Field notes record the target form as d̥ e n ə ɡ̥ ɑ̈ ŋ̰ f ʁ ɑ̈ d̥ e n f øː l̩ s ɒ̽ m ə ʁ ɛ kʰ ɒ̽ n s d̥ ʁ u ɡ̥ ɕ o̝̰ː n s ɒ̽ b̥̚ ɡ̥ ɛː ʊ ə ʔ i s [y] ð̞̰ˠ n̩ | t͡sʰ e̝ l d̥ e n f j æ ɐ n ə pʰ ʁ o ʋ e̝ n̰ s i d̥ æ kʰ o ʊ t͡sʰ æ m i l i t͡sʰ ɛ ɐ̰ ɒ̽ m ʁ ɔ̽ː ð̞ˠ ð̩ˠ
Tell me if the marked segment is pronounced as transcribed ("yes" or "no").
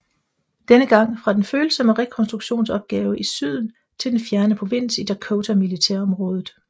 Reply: yes